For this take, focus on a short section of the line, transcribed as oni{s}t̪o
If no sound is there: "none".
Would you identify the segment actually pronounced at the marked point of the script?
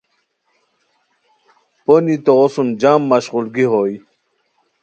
none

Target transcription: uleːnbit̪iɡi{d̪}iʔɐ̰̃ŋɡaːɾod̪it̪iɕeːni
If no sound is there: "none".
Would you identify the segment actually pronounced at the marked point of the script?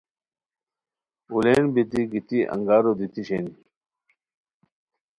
t̪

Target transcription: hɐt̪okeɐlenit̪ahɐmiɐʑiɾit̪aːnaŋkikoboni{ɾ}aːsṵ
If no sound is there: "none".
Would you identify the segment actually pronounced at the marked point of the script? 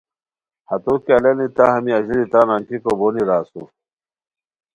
ɾ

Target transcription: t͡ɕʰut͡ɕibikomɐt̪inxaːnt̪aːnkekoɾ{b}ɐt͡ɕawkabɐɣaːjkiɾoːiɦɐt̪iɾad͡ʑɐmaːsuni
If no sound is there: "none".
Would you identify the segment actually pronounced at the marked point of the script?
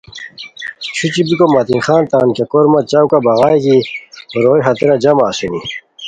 m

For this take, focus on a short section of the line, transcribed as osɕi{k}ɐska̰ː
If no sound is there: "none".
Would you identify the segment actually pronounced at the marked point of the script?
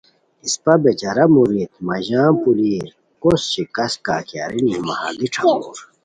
k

